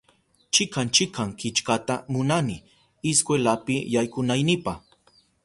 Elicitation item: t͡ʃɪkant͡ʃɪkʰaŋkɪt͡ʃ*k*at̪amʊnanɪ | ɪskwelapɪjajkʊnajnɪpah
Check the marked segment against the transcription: correct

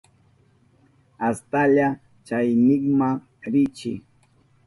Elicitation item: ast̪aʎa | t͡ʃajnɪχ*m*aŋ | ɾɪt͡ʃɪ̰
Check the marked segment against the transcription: correct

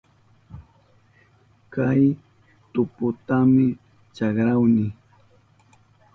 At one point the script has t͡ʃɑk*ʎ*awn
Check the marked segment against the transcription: incorrect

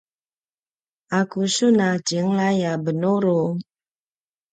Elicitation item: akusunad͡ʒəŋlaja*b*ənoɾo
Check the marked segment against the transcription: correct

